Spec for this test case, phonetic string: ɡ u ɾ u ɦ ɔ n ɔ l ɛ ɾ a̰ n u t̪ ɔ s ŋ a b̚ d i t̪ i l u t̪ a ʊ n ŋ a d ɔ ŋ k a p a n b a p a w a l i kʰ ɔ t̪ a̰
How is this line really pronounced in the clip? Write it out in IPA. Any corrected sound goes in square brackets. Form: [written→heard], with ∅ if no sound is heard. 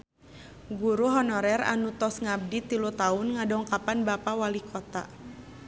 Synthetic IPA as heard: ɡ u ɾ u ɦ ɔ n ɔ [l→ɾ] ɛ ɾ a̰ n u t̪ ɔ s ŋ a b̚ d i t̪ i l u t̪ a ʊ n ŋ a d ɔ ŋ k a p a n b a p a w a l i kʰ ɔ t̪ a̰